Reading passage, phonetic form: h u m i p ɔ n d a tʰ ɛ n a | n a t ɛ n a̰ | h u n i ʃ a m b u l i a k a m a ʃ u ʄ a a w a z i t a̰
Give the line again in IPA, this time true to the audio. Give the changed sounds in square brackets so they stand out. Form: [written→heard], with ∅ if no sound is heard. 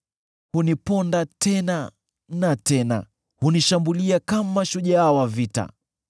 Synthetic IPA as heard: h u [m→n] i p ɔ n d a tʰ ɛ n a | n a t ɛ n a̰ | h u n i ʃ a m b u l i a k a m a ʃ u ʄ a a w a [z→v] i t a̰

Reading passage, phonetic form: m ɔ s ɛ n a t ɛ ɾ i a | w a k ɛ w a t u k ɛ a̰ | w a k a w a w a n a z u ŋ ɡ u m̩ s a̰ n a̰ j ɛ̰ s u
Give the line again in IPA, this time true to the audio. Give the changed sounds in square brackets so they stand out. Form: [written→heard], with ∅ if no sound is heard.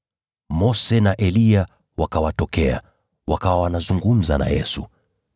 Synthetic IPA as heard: m ɔ s ɛ n a [t→ʔ] ɛ [ɾ→l] i a | w a k [ɛ→a] w a t [u→ɔ] k ɛ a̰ | w a k a w a w a n a z u ŋ ɡ u m̩ [s→z] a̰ n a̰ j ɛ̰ s u

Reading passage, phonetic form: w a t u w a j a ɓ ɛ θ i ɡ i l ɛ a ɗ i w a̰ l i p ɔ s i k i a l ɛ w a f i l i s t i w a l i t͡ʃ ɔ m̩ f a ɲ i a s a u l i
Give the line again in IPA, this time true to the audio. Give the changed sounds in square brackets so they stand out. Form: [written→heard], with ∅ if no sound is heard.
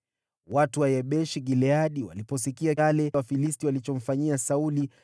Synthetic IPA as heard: w a t u w a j [a→ɛ] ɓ ɛ [θ→ʃ] i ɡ i l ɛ a ɗ i w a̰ l i p ɔ s i k i a l ɛ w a f i l i s t i w a l i t͡ʃ ɔ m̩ f a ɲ i a s a u l i

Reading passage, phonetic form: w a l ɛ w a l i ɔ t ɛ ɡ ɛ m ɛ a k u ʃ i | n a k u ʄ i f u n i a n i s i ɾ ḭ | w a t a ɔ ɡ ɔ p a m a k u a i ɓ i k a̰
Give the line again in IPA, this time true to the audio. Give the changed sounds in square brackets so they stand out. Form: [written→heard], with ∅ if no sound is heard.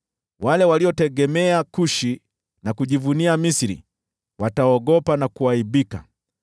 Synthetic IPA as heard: w a l ɛ w a l i ɔ t ɛ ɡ ɛ m ɛ a k u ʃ i | n a k u ʄ i [f→v] u n i a [n→m] i s i ɾ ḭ | w a t a ɔ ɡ ɔ p a [m→n] a k u a i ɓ i k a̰

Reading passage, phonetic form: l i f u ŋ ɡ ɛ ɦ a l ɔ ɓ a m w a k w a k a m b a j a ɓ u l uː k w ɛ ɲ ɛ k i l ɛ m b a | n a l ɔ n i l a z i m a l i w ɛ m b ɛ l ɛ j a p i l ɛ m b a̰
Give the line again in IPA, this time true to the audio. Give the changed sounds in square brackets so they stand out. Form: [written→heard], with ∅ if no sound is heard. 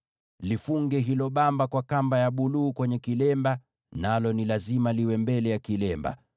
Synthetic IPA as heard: l i f u ŋ ɡ ɛ ɦ [a→i] l ɔ ɓ a m [w→b] a k w a k a m b a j a ɓ u l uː k w ɛ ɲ ɛ k i l ɛ m b a | n a l ɔ n i l a z i m a l i w ɛ m b ɛ l ɛ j a [p→k] i l ɛ m b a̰

